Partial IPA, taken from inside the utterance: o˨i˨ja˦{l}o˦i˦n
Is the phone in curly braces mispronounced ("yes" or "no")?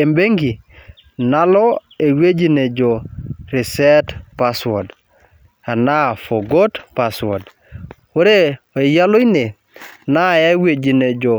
no